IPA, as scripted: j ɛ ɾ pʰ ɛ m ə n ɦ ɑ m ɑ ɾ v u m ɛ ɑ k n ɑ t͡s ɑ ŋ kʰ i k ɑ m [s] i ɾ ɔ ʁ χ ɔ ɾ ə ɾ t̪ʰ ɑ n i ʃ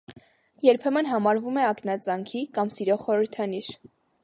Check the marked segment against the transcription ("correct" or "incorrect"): correct